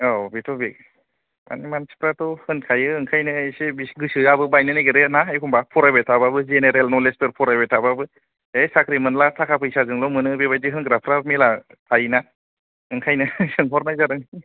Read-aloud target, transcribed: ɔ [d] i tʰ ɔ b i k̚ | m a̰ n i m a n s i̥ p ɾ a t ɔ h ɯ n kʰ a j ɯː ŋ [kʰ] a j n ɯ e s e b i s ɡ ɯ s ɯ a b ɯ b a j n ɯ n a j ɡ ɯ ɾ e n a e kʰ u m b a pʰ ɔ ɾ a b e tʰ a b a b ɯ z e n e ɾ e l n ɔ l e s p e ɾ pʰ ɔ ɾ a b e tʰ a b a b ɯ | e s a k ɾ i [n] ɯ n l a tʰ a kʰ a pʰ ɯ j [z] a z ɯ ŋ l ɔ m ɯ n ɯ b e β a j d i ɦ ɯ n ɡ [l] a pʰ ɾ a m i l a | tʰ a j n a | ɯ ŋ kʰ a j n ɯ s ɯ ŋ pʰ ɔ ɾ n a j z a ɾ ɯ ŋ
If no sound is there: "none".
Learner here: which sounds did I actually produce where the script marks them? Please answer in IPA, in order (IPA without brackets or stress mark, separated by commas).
b, kʰ, m, s, ɾ